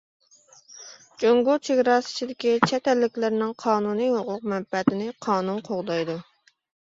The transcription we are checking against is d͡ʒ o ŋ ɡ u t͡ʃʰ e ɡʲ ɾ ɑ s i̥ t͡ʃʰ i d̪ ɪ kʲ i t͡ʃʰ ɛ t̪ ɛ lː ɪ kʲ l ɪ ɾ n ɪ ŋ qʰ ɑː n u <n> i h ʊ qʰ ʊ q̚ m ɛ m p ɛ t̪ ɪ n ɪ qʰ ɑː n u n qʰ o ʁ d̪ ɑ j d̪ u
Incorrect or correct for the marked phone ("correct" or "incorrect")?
correct